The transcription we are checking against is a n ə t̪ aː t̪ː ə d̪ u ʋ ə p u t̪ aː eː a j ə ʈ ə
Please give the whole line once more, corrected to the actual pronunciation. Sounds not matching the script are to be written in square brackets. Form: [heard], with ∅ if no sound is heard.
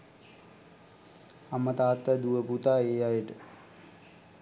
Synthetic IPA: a [m] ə t̪ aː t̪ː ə d̪ u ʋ ə p u t̪ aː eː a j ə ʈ ə